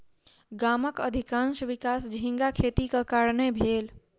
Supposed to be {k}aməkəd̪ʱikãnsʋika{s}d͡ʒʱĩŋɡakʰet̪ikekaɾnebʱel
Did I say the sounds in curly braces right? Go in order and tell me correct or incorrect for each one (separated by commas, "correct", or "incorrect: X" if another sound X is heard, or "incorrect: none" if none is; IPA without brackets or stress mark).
incorrect: ɡ, correct